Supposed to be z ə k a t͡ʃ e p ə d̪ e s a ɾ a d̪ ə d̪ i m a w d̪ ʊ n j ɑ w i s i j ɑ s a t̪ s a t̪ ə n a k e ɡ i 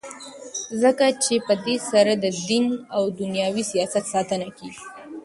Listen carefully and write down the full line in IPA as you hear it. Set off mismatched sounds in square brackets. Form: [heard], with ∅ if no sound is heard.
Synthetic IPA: z ə k a t͡ʃ e p ə d̪ e s a ɾ a d̪ ə d̪ i [n] a w d̪ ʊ n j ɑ w i s i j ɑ s a t̪ s [ɑ] t̪ ə n a k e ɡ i